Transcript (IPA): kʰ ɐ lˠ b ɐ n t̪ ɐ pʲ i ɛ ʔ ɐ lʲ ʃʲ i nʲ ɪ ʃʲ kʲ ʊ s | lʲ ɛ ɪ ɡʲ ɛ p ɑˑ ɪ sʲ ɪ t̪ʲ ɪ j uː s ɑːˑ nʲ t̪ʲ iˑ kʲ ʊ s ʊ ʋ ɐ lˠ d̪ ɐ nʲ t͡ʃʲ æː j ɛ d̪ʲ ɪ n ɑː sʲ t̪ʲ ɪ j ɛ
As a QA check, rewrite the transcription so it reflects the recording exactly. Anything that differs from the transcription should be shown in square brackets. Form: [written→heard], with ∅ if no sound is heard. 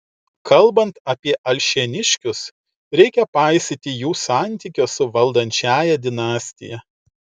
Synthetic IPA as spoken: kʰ ɐ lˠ b ɐ n t̪ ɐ pʲ i ɛ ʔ ɐ lʲ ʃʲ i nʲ ɪ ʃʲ kʲ ʊ s | [lʲ→ɾʲ] ɛ ɪ [ɡʲ→kʲ] ɛ p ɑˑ ɪ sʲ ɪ t̪ʲ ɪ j uː s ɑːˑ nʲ t̪ʲ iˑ kʲ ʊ s ʊ ʋ ɐ lˠ d̪ ɐ nʲ t͡ʃʲ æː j ɛ d̪ʲ ɪ n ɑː sʲ t̪ʲ ɪ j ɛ